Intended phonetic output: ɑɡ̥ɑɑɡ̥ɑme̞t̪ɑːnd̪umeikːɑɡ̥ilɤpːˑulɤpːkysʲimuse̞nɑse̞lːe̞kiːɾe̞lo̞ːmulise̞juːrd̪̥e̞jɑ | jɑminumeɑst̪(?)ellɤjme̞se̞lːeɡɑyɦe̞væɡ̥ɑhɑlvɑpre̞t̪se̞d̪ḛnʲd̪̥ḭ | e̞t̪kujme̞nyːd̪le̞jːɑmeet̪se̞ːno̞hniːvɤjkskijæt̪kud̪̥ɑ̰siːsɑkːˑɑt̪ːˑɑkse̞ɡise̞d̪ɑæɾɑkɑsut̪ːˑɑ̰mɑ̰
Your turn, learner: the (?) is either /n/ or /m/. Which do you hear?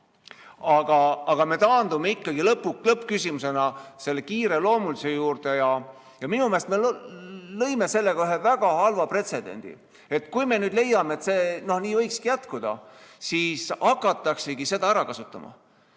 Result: m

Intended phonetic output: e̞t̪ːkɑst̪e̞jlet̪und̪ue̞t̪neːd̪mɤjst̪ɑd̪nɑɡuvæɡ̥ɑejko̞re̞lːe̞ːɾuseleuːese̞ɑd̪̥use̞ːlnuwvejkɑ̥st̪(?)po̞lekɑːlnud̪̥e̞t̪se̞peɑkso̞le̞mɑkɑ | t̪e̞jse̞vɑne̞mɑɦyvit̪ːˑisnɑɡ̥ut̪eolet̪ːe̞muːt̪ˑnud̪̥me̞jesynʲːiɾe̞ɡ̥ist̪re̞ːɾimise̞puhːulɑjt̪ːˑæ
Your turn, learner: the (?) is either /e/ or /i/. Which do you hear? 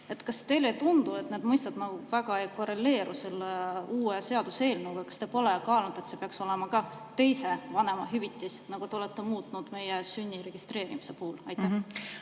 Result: e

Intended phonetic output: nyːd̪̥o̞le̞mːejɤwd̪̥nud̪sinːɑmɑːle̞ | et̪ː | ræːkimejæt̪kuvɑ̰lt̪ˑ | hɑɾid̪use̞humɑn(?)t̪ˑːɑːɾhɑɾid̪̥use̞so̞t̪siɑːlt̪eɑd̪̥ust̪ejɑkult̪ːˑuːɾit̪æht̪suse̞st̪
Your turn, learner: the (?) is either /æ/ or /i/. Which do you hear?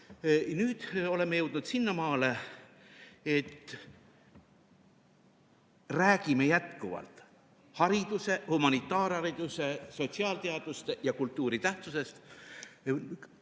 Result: i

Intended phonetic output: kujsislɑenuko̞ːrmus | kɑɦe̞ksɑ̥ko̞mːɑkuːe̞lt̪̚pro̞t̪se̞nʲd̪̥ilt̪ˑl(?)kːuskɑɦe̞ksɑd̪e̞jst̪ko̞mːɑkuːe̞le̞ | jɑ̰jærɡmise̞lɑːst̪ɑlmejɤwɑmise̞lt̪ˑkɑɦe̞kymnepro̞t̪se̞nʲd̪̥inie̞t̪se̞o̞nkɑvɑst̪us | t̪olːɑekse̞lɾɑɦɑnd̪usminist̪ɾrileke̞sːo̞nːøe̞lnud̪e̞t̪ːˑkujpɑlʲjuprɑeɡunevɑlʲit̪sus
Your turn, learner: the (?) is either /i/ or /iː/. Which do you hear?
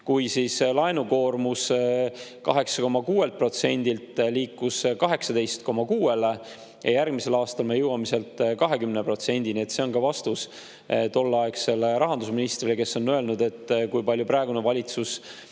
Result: iː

